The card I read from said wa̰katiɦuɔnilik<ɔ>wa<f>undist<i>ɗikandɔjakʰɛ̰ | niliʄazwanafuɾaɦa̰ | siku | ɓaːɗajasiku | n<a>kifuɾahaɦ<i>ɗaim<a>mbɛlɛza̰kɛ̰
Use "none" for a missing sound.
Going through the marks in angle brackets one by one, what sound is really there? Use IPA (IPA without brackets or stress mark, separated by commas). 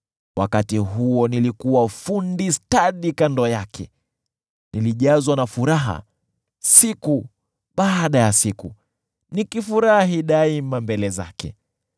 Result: u, f, a, i, i, a